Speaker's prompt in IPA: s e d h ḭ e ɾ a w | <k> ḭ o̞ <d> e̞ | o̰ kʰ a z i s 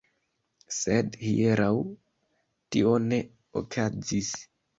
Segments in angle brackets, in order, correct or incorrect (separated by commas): incorrect, incorrect